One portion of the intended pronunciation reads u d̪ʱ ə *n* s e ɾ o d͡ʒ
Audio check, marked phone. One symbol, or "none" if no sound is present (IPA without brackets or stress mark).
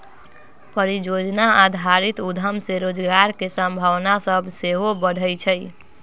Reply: m